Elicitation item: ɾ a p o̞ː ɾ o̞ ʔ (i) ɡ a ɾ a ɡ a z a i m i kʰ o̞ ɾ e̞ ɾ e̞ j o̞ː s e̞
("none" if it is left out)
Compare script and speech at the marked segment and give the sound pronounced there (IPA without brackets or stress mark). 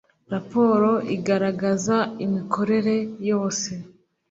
i